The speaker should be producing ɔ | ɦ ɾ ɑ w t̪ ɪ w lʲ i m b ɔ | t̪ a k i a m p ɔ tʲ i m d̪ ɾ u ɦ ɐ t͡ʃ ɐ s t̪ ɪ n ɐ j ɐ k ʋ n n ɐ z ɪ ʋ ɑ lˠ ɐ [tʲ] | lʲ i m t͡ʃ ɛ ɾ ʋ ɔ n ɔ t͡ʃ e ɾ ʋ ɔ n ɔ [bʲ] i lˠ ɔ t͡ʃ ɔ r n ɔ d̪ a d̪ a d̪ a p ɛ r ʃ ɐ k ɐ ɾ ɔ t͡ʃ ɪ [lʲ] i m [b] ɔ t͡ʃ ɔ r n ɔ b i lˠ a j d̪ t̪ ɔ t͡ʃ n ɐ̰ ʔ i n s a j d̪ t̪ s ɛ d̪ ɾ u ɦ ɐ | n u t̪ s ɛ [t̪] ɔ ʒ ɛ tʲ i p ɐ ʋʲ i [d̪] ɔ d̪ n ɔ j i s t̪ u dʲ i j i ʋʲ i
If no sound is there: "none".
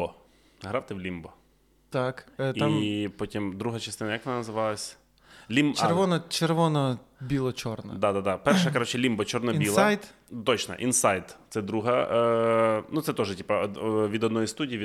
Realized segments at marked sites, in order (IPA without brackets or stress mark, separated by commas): sʲ, bʲ, lʲ, b, t̪, d̪